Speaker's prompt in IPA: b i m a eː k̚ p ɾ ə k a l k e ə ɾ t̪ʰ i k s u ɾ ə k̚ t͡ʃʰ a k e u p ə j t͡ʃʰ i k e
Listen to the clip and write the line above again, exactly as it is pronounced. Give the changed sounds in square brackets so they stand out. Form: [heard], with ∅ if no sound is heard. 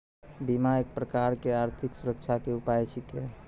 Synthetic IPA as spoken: b i m a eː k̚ p ɾ ə k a [ɾ] k e [a] ɾ t̪ʰ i k s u ɾ ə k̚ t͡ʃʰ a k e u p [a] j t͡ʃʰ i k e